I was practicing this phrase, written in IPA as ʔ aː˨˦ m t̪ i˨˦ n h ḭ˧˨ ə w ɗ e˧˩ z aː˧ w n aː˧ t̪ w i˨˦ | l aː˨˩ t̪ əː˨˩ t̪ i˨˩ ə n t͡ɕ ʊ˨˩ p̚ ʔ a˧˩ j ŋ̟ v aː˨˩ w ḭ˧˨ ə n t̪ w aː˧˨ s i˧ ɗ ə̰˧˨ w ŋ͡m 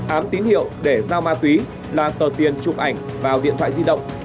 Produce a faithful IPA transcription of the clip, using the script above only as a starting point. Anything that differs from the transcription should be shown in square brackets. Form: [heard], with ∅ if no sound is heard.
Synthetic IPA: ʔ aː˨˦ m t̪ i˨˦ n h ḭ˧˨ ə w ɗ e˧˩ z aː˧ w [m] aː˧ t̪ w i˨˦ | l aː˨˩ t̪ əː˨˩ t̪ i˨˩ ə n t͡ɕ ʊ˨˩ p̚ ʔ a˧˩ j ŋ̟ v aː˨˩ w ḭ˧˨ ə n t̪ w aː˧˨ [z] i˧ ɗ ə̰˧˨ w ŋ͡m